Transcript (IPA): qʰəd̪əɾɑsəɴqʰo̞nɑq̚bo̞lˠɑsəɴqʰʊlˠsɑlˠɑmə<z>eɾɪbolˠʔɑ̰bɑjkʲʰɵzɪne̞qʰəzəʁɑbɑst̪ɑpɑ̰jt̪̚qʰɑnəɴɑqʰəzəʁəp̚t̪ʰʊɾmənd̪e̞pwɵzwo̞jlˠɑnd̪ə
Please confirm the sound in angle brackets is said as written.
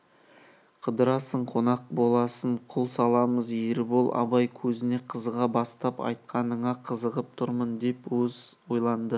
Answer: yes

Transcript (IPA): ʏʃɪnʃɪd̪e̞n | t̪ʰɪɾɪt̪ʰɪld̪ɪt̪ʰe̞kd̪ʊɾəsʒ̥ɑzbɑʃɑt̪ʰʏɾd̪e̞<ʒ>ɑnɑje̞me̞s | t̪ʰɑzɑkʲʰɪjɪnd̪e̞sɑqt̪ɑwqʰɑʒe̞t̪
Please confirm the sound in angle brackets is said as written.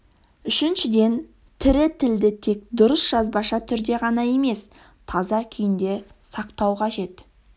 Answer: no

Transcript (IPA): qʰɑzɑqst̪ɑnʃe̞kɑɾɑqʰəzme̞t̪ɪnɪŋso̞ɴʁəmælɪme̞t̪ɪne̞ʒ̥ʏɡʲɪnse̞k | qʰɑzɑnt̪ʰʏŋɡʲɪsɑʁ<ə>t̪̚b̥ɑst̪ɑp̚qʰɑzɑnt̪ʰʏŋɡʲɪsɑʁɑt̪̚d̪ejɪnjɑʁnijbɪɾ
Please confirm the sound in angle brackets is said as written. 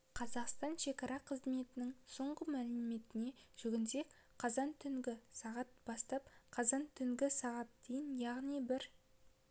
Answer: no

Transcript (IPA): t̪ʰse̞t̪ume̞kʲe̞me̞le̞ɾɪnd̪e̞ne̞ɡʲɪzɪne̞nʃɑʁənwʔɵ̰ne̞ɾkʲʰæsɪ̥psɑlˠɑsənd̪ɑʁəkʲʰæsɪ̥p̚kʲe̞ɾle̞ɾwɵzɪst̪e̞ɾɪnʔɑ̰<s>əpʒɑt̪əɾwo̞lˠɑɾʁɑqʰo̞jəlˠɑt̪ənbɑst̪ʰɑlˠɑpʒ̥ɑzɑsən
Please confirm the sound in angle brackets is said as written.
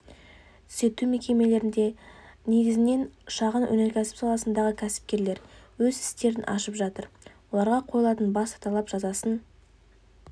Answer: no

